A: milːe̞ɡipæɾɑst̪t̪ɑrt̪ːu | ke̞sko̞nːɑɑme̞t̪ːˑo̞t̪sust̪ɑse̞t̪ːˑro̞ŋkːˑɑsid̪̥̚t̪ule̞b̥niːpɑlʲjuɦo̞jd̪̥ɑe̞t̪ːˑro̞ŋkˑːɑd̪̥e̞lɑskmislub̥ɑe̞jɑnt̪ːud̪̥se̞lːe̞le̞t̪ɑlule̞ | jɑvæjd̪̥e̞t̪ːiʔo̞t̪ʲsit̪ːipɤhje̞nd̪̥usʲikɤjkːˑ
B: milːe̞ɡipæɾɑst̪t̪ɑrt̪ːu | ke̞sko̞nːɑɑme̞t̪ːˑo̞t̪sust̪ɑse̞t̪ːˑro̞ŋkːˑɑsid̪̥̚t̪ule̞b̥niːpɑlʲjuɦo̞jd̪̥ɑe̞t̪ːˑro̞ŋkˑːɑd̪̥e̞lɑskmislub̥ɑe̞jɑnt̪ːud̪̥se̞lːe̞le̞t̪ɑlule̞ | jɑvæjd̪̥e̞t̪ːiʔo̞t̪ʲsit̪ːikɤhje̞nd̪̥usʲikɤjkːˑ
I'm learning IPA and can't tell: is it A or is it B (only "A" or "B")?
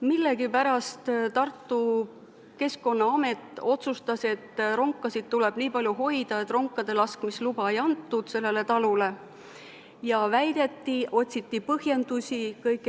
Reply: A